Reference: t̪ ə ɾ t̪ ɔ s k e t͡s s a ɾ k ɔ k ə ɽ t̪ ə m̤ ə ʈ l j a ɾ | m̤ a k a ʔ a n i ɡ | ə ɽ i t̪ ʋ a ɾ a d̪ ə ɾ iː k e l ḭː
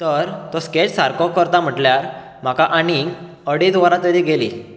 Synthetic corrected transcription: t̪ ə ɾ t̪ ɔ s k e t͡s s a ɾ k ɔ k ə ɾ t̪ a m̤ ə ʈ l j a ɾ | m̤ a k a ʔ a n i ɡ | ə ɽ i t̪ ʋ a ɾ a t̪ ə ɾ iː ɡ e l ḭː